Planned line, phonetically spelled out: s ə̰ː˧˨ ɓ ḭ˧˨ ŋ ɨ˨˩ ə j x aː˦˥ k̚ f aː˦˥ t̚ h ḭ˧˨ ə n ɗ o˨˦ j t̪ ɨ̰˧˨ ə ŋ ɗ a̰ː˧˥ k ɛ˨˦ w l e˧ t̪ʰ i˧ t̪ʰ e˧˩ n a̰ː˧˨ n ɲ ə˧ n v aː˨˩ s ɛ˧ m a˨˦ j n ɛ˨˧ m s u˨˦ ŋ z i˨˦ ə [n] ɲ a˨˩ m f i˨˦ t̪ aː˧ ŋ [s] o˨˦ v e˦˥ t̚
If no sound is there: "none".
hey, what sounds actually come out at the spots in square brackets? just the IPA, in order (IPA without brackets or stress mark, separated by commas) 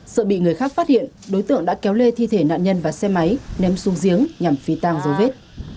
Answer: ŋ, z